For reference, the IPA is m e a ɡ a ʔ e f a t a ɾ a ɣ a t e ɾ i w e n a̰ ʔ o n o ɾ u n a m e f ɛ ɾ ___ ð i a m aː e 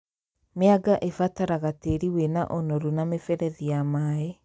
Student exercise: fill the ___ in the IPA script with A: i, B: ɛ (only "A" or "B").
B